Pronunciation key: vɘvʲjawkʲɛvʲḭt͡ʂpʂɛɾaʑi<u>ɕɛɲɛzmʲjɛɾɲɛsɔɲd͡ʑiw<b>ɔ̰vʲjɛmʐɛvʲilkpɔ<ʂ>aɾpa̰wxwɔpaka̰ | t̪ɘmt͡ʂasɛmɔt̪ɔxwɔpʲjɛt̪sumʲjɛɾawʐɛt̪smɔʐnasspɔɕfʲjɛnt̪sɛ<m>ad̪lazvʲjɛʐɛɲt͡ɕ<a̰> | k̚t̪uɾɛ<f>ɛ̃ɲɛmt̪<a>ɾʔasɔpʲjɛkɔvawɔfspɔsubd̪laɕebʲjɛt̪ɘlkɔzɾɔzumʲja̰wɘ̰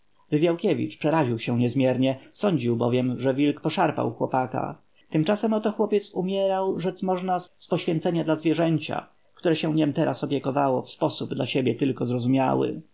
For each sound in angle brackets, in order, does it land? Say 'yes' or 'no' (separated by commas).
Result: no, yes, yes, no, yes, no, no